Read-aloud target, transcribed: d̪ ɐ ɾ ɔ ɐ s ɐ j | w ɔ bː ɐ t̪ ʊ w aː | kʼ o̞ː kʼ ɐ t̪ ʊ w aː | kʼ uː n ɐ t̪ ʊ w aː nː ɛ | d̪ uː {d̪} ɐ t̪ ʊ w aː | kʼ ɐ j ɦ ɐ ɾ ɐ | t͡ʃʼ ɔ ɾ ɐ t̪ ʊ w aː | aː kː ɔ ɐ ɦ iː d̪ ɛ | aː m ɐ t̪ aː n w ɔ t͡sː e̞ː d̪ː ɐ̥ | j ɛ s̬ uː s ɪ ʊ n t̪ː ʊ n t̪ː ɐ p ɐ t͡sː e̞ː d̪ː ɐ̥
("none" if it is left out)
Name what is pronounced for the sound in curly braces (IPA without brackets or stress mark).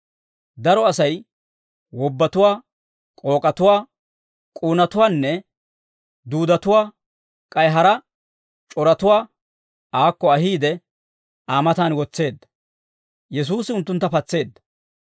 d̪